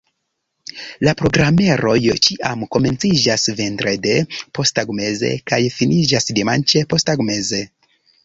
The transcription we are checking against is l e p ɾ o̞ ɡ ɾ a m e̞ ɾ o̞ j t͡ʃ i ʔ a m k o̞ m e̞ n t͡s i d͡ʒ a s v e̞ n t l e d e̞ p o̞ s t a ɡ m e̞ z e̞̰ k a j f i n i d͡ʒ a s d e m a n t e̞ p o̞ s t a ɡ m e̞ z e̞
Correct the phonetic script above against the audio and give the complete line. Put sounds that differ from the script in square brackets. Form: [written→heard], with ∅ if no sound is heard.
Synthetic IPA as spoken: l [e→a] p ɾ o̞ ɡ ɾ a m e̞ ɾ o̞ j t͡ʃ i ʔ a m k o̞ m e̞ n t͡s i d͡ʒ a s v e̞ n t [l→ɾ] e d e̞ p o̞ s t a ɡ m e̞ z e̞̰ k a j f i n i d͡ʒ a s d e m a n [t→t͡ʃ] e̞ p o̞ s t a ɡ m e̞ z e̞